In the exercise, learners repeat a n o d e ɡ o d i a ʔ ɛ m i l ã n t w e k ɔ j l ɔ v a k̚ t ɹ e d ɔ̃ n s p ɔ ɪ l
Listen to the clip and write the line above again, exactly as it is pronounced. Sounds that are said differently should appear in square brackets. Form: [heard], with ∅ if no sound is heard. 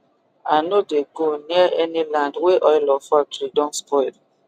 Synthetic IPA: a n o d e ɡ o [n] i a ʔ ɛ [n] i l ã n [d] w e [ʔ] ɔ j l ɔ [f] a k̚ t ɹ [i] d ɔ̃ n s p ɔ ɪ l

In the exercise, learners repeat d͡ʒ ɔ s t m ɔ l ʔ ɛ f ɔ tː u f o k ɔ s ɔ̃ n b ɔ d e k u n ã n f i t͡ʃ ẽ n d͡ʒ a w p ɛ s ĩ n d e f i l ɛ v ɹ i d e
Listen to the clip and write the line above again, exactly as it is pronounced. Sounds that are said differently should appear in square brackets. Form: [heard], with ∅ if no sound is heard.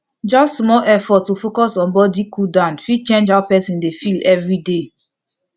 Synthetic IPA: d͡ʒ ɔ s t m ɔ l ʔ ɛ f ɔ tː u f o k ɔ s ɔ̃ n b ɔ d [i] k u [d] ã n f i t͡ʃ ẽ n d͡ʒ a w p ɛ s ĩ n d e f i l ɛ v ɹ i d e

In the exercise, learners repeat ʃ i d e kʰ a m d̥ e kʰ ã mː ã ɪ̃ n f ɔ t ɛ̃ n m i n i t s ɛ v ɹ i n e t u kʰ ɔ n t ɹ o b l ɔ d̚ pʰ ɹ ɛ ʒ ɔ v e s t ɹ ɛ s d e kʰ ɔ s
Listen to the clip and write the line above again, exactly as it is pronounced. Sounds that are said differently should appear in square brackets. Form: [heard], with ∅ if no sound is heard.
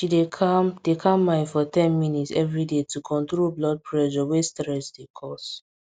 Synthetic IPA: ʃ i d e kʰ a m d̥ e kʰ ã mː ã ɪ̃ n f ɔ t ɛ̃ n m i n i t s ɛ v ɹ i [d] e t u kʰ [ɔ̃] n t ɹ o b l ɔ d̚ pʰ ɹ ɛ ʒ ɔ [w] e s t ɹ ɛ s d e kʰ ɔ s

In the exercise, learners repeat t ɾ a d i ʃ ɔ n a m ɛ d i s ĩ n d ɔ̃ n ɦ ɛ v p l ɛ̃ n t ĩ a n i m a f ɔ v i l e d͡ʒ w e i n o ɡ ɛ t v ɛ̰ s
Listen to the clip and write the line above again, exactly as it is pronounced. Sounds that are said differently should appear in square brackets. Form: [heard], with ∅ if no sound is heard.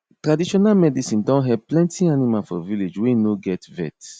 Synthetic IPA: t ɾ a d i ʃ ɔ n a m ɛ d i s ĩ n d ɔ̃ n ɦ ɛ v p l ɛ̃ n t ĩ a n i m a f ɔ v i l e d͡ʒ w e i n o ɡ ɛ t v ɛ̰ [t]

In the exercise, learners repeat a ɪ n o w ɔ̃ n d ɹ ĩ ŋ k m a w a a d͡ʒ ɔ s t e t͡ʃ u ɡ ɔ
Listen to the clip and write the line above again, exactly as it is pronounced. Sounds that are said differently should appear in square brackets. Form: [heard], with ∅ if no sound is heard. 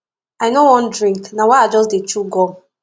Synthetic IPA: a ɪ n o w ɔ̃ n d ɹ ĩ ŋ k [n] a w a a d͡ʒ ɔ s [d] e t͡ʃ u ɡ ɔ

